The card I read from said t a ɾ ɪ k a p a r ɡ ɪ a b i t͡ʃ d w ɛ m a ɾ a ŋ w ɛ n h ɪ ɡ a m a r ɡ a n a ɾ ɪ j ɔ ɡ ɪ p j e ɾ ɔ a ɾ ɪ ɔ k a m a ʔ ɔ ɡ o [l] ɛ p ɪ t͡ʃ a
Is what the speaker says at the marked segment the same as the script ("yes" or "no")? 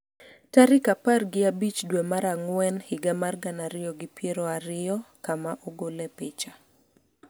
yes